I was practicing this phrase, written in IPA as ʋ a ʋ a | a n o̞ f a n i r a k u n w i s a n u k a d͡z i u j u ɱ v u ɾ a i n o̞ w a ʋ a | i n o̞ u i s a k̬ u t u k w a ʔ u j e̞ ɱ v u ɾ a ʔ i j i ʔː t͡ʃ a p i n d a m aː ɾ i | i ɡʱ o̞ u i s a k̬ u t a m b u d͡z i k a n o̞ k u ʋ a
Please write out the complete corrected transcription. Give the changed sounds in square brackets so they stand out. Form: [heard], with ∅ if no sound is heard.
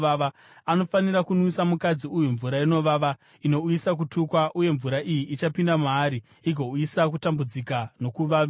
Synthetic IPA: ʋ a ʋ a | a n o̞ f a n i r a k u n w i s a [m] u k a d͡z i u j u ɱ v u ɾ a i n o̞ [ʋ] a ʋ a | i n o̞ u i s a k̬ u t u k w a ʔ u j e̞ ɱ v u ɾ a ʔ i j i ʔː t͡ʃ a p i n d a m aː ɾ i | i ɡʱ o̞ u i s a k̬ u t a m b u d͡z i k a n o̞ k u ʋ a